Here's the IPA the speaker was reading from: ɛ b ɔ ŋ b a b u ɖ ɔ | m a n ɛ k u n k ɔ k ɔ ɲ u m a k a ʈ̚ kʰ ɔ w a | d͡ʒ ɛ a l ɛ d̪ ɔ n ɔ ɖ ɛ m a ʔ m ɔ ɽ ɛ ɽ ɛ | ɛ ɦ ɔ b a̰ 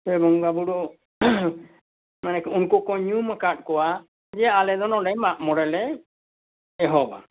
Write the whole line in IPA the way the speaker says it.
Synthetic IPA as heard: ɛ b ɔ ŋ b a b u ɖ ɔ | m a n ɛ k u n k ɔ k ɔ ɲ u m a k a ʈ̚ k ɔ w a | d͡ʒ ɛ a l ɛ d̪ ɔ n ɔ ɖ ɛ m a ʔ m ɔ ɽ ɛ l ɛ | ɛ ɦ ɔ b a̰